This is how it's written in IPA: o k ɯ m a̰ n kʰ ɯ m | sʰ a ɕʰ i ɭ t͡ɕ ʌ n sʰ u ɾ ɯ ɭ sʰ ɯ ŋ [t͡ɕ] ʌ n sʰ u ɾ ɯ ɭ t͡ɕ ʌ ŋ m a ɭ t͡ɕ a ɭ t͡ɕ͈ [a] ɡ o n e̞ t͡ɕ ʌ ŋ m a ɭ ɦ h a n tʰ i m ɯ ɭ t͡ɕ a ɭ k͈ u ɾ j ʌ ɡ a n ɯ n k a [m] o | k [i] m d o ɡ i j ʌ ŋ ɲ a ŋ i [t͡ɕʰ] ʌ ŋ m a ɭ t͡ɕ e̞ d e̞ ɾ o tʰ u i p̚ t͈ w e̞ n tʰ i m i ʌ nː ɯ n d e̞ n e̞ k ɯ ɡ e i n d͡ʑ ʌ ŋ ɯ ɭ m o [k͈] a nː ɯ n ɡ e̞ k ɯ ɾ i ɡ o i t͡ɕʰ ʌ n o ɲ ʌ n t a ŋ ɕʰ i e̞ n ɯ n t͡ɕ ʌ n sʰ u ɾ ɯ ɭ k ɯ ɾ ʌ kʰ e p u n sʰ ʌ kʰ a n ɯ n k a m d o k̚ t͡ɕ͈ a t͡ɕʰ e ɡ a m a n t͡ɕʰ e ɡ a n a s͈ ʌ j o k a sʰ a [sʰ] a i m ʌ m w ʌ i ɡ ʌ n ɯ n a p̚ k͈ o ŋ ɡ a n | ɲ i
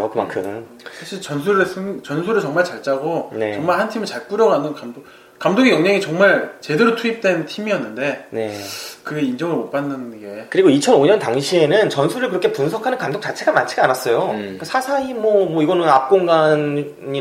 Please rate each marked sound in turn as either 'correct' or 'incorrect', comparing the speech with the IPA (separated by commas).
correct, correct, correct, incorrect, incorrect, incorrect, correct